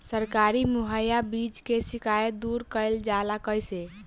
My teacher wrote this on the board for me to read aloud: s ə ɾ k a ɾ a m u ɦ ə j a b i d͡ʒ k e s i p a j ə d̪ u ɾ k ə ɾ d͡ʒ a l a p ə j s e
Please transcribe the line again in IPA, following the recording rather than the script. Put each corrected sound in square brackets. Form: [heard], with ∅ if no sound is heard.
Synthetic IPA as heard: s ə ɾ k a ɾ [i] m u ɦ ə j a b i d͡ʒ k e s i [k] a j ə d̪ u ɾ k ə [l] d͡ʒ a l a [k] ə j s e

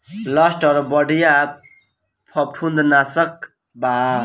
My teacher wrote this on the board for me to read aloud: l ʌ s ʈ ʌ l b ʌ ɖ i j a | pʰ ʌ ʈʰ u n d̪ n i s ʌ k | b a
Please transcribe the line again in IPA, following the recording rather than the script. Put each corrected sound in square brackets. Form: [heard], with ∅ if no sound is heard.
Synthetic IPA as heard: l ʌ s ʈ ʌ [ɾ] b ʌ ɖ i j a | pʰ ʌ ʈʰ u n d̪ n [a] s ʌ k | b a

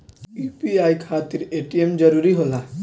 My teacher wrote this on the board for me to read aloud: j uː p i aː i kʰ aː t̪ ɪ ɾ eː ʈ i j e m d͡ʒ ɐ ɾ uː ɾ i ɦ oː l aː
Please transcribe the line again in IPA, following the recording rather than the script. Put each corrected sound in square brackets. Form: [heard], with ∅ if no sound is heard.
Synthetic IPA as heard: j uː p i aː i kʰ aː t̪ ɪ ɾ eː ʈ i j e m d͡ʒ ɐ ɾ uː ɾ i ɦ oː l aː

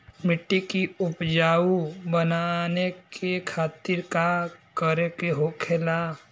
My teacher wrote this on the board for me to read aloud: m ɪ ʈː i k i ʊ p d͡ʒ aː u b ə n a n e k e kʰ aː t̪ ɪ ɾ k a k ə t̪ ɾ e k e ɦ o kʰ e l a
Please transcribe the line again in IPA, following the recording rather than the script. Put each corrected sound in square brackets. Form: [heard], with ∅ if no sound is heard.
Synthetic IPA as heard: m ɪ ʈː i k i ʊ p d͡ʒ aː u b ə n a n e k e kʰ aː t̪ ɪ ɾ k a k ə [∅] ɾ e k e ɦ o kʰ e l a

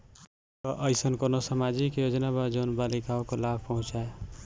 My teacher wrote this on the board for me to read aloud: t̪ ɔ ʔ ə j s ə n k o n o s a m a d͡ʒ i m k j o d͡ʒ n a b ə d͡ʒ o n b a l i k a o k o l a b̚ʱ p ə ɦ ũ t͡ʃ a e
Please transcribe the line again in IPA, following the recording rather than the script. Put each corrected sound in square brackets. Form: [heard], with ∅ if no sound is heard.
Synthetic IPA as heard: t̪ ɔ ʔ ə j s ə n k o n o s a m a d͡ʒ i [∅] k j o d͡ʒ n a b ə d͡ʒ o n b a l i k a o k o l a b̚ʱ p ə ɦ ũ t͡ʃ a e

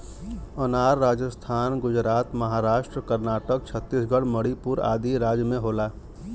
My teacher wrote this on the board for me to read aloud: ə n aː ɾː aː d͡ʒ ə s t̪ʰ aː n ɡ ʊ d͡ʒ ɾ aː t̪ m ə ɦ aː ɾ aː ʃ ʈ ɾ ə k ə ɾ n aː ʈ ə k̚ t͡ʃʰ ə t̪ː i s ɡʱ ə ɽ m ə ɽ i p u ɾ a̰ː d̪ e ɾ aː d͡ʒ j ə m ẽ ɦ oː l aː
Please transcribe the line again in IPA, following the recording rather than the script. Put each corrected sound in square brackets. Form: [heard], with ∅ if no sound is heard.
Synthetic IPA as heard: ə n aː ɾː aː d͡ʒ ə s t̪ʰ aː n ɡ ʊ d͡ʒ ɾ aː t̪ m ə ɦ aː ɾ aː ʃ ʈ ɾ ə k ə ɾ n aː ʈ ə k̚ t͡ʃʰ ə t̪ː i s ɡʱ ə ɽ m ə ɽ i p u ɾ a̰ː d̪ [i] ɾ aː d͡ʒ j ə m ẽ ɦ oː l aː

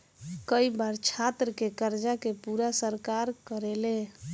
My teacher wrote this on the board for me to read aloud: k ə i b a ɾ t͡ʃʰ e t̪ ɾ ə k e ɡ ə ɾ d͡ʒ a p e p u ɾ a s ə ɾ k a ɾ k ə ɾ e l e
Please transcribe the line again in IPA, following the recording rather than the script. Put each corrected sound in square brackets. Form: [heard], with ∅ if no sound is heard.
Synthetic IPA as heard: k ə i b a ɾ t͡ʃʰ [a] t̪ ɾ ə k e [k] ə ɾ d͡ʒ a [k] e p u ɾ a s ə ɾ k a ɾ k ə ɾ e l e

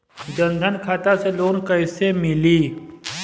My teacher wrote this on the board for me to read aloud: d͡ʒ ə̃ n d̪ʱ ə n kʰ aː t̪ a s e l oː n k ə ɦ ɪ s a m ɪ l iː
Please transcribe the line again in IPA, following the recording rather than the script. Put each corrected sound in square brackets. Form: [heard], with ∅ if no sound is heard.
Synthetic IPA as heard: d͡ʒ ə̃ n d̪ʱ ə n kʰ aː t̪ a s e l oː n k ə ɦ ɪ s [e] m ɪ l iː

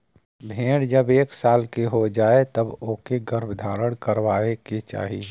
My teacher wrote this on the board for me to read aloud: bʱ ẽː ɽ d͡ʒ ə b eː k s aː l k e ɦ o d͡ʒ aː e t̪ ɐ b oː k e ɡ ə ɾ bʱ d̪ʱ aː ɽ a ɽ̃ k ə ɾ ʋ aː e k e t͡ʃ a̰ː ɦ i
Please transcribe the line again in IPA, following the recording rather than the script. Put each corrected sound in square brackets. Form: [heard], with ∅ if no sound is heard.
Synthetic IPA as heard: bʱ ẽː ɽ d͡ʒ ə b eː k s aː l k e ɦ o d͡ʒ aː e t̪ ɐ b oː k e ɡ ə ɾ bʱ d̪ʱ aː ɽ [ə] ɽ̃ k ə ɾ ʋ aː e k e t͡ʃ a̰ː ɦ i

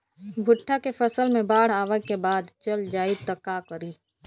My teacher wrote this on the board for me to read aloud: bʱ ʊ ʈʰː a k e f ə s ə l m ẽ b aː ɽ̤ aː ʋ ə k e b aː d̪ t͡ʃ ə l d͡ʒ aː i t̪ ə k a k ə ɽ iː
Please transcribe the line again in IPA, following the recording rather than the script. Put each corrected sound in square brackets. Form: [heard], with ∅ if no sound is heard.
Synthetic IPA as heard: bʱ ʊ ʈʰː a k e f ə s ə l m ẽ b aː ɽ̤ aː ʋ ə k e b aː d̪ t͡ʃ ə l d͡ʒ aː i t̪ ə k a k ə [ɾ] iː

